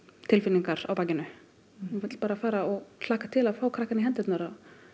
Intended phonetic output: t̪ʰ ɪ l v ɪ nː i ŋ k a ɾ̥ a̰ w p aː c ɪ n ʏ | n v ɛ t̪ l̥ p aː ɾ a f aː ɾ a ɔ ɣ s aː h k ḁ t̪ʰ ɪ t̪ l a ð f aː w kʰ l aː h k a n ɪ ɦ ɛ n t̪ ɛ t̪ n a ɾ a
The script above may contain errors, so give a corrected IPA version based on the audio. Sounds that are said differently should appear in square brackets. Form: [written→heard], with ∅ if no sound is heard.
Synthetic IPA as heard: t̪ʰ ɪ l [v→f] ɪ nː i ŋ k a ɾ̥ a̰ w p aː c ɪ n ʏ | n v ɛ t̪ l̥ p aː ɾ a f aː ɾ a ɔ ɣ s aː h k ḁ t̪ʰ ɪ [t̪→∅] l a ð f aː w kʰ [l→ɾ] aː h k a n ɪ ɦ ɛ n t̪ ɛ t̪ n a ɾ a